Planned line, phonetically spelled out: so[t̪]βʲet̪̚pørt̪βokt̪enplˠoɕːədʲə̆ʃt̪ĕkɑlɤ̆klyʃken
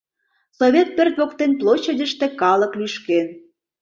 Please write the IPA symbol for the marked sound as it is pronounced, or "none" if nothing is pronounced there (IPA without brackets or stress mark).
none